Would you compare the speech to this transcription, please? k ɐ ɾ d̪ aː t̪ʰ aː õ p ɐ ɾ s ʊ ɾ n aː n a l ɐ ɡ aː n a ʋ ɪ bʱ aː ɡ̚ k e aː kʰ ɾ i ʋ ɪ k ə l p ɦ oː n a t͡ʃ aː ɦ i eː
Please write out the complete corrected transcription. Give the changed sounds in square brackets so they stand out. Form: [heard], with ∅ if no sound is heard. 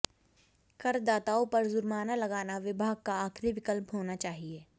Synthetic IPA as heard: k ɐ ɾ d̪ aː [t̪] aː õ p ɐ ɾ [z] ʊ ɾ [m] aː n a l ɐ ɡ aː n a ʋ ɪ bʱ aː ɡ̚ k [a] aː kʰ ɾ i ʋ ɪ k ə l p ɦ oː n a t͡ʃ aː ɦ i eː